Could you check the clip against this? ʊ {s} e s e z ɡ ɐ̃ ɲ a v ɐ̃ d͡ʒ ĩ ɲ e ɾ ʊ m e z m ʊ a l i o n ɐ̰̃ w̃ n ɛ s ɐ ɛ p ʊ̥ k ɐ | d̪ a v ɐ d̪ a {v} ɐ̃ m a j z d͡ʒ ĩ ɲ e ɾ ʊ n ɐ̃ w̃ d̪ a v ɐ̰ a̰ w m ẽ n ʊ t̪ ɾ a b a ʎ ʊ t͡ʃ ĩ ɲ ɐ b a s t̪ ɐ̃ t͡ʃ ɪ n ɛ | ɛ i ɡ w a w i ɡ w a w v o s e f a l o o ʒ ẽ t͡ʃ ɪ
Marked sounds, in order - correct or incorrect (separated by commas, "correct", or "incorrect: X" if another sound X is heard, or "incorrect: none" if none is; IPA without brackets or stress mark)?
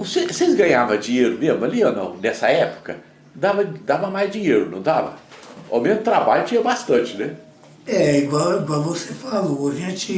correct, correct